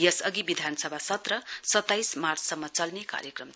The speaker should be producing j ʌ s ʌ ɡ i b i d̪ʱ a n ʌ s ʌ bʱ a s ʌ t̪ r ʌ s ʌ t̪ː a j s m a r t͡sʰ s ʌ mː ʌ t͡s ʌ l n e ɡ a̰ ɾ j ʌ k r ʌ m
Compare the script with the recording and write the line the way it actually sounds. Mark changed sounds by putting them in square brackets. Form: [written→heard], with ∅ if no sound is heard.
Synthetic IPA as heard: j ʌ s ʌ ɡ i b i d̪ʱ a n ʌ s ʌ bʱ a s ʌ t̪ r ʌ s ʌ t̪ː a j s m a r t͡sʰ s ʌ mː ʌ t͡s ʌ l n e [ɡ→k] a̰ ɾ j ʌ k r ʌ m